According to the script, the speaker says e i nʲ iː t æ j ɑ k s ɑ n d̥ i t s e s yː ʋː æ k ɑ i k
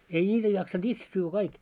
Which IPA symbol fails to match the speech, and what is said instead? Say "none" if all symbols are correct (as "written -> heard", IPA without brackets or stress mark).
none